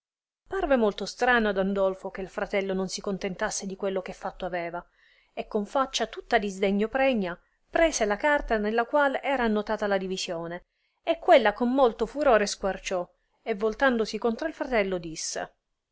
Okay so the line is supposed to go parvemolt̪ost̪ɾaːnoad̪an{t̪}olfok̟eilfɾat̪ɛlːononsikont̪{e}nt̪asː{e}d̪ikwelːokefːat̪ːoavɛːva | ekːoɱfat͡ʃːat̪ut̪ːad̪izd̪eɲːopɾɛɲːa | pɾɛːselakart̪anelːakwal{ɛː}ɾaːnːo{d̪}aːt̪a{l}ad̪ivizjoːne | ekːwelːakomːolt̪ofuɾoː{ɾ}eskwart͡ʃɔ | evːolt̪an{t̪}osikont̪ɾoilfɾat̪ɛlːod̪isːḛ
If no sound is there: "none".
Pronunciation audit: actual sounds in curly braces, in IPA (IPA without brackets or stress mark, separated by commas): d̪, e, e, ɛː, t̪, l, ɾ, d̪